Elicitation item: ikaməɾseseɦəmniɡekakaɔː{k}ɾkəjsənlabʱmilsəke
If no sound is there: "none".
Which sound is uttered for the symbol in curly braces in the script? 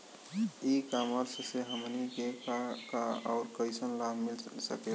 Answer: none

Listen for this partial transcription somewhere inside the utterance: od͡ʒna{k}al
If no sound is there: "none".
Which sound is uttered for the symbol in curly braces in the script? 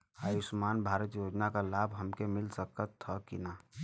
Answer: k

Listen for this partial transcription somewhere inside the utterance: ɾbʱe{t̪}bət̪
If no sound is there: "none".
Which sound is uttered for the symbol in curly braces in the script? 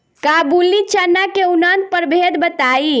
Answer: d̪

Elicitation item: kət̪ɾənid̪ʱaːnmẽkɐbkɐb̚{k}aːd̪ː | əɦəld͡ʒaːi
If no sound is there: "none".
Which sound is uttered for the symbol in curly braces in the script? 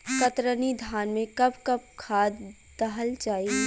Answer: kʰ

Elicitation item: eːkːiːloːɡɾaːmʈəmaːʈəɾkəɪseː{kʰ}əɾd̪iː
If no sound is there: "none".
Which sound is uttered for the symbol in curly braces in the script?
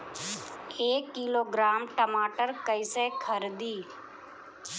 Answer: kʰ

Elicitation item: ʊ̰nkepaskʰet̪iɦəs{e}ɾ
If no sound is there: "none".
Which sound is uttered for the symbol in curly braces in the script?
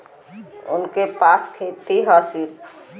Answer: i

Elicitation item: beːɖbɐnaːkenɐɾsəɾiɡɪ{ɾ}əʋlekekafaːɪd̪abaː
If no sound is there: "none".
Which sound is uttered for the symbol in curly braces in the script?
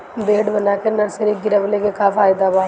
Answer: ɾ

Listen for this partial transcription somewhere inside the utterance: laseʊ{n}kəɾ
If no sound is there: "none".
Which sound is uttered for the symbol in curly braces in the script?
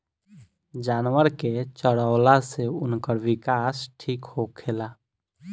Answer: n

